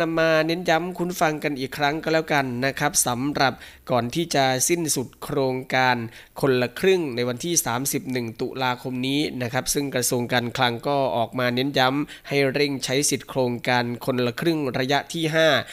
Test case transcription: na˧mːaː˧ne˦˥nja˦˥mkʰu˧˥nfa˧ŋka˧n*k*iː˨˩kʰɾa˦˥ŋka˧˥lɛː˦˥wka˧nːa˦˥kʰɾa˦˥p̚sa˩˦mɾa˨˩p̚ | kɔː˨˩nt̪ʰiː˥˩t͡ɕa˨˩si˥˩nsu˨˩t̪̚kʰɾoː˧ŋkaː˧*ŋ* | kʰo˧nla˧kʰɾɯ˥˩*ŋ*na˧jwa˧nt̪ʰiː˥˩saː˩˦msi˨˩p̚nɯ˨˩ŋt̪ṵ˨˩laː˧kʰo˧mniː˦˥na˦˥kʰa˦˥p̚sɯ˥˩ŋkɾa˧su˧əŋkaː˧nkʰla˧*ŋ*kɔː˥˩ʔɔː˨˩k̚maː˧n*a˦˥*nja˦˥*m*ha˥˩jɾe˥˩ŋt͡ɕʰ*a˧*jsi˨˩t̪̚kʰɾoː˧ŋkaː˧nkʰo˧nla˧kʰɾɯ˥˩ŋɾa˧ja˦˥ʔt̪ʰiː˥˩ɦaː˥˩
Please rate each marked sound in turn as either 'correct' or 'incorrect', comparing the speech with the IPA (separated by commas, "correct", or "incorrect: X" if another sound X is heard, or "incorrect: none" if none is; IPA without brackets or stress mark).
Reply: incorrect: ʔ, incorrect: n, correct, correct, incorrect: e˦˥, correct, incorrect: a˦˥